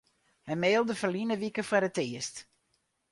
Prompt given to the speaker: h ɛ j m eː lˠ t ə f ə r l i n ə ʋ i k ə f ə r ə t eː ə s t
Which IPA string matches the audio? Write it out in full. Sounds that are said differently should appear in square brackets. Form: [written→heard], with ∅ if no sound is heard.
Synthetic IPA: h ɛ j m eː lˠ [t→d] ə f ə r l i n ə ʋ i k ə f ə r ə t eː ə s t

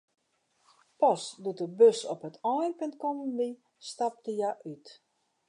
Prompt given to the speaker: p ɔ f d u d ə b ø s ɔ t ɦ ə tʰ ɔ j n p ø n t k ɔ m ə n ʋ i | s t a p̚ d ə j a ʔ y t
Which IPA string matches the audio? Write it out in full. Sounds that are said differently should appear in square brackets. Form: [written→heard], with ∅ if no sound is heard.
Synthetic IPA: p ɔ [f→s] d u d ə b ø s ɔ [t→p] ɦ ə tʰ ɔ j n p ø n t k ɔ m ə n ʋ i | s t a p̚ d ə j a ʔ y t

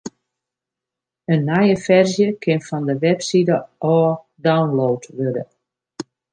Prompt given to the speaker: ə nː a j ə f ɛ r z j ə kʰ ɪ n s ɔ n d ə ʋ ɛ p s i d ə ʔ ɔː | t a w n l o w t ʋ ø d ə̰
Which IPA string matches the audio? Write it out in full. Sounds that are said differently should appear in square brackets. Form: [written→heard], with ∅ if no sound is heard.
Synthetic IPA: ə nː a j ə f ɛ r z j ə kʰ ɪ n [s→f] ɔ n d ə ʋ ɛ p s i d ə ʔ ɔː | [t→d] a w n l o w t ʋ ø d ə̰

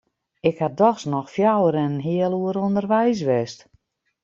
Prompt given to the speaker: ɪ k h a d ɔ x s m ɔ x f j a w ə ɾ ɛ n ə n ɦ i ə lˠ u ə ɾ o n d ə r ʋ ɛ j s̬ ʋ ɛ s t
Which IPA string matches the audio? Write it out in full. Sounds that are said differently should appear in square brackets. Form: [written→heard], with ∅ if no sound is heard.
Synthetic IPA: ɪ k h a d ɔ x s [m→n] ɔ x f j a w ə ɾ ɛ n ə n ɦ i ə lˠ u ə ɾ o n d ə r ʋ ɛ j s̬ ʋ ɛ s t

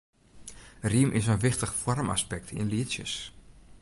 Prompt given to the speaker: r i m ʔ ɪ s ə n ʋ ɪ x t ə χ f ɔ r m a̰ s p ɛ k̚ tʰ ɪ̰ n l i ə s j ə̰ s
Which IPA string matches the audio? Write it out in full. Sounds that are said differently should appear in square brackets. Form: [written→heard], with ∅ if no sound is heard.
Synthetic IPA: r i m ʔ ɪ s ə n ʋ ɪ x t ə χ f ɔ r m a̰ s p ɛ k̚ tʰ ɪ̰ n l i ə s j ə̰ s

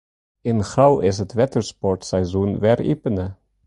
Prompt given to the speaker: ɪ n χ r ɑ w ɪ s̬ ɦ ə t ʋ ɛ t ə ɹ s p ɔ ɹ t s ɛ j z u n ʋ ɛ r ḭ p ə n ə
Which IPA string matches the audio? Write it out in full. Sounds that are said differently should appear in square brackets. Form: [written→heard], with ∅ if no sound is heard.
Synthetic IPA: ɪ n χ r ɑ w ɪ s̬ ɦ ə t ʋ ɛ t ə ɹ s p ɔ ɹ t s ɛ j z u n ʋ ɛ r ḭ p ə n ə

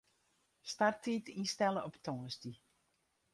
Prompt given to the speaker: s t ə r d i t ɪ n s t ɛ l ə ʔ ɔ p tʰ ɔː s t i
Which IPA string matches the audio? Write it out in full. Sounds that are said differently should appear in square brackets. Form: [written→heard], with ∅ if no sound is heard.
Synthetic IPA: s t [ə→a] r [d→t] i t [ɪ→i] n s t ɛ l ə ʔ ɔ p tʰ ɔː s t i

